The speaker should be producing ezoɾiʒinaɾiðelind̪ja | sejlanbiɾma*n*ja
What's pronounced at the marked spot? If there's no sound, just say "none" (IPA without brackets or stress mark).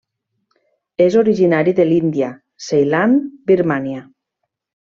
n